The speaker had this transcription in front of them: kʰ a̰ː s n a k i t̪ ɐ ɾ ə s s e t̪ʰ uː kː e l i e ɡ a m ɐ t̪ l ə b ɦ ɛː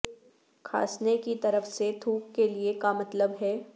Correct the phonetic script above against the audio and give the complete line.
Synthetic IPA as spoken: kʰ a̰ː s n e k i t̪ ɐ ɾ ə f s e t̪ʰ uː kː e l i e k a m ɐ t̪ l ə b ɦ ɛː